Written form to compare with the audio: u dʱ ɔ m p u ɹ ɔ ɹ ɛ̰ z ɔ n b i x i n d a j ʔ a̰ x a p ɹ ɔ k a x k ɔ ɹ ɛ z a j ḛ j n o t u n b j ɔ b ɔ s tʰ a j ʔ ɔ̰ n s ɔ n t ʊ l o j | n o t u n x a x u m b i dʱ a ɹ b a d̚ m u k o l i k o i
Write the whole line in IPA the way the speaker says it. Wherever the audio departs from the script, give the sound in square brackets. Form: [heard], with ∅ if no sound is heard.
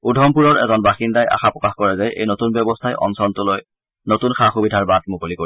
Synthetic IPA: u dʱ ɔ m p u ɹ ɔ ɹ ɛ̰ z ɔ n b [a] x i n d a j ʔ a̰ x a p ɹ ɔ k a x k ɔ ɹ ɛ z a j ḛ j n o t u n b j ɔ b ɔ s tʰ a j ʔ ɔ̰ n s ɔ n t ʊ l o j | n o t u n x a x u [∅] b i dʱ a ɹ b a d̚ m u k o l i k o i